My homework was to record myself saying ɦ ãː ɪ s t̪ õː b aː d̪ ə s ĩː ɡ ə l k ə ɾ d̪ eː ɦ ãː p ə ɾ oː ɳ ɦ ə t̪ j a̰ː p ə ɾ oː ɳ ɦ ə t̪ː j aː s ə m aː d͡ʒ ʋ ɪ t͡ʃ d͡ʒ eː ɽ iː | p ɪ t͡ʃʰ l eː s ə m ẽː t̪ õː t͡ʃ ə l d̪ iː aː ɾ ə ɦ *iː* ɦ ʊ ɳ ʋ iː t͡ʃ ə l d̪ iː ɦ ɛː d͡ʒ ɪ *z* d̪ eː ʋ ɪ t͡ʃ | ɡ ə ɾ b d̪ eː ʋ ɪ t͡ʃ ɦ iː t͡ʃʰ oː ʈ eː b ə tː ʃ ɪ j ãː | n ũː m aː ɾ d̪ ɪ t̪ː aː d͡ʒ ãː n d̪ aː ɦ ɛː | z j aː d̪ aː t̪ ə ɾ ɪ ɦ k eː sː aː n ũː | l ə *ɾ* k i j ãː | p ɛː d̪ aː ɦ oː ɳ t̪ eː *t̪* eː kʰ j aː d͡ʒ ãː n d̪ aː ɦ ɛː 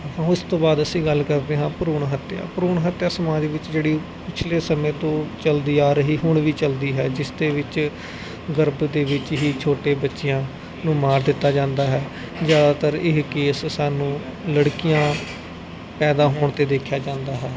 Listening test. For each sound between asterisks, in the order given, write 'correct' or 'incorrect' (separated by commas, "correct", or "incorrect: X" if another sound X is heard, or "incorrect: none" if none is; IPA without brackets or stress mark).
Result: correct, incorrect: s, incorrect: ɽ, incorrect: d̪